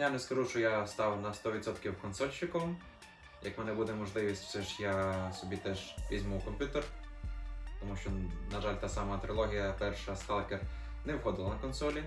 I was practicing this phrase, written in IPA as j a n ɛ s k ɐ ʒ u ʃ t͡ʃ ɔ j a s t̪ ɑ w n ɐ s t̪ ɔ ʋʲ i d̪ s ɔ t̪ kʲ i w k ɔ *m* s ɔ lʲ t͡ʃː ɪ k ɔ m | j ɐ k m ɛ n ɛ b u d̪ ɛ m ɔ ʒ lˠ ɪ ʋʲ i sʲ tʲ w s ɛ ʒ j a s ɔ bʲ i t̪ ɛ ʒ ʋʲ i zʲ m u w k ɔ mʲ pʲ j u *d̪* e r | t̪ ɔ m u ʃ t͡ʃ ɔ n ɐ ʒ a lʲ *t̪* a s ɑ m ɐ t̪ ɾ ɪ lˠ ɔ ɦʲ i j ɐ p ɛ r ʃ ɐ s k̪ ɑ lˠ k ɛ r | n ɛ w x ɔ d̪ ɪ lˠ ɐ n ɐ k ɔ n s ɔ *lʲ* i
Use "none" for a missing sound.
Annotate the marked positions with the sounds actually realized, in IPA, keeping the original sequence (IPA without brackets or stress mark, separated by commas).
n, t̪, t̪, lʲ